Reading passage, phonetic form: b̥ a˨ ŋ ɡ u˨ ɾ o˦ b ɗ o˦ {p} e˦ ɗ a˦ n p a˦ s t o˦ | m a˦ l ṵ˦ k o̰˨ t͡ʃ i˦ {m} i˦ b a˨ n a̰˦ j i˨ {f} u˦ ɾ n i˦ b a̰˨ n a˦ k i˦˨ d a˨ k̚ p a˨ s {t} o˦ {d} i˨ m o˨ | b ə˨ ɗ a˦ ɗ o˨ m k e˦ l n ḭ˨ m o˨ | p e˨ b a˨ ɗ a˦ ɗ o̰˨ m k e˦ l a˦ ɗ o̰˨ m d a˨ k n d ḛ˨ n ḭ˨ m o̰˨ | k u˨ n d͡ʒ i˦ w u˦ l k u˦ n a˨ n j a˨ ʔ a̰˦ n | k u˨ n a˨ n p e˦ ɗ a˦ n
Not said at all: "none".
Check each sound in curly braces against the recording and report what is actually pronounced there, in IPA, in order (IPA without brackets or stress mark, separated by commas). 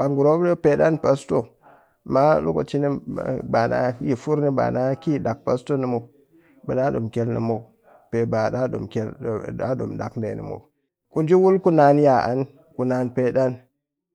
p, n, f, t, n